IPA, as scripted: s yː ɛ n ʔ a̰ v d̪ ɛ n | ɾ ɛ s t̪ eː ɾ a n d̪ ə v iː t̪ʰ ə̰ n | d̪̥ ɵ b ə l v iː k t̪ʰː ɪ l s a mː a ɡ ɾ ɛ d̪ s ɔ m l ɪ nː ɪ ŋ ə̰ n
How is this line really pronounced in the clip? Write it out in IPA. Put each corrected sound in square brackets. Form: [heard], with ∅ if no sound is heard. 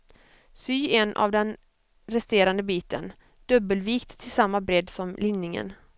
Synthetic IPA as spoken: s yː ɛ n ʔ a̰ v d̪ ɛ n | ɾ ɛ s t̪ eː ɾ a n d̪ ə [b] iː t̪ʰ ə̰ n | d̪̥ ɵ b ə l v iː k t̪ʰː ɪ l s a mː a [b] ɾ ɛ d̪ s ɔ m l ɪ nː ɪ ŋ ə̰ n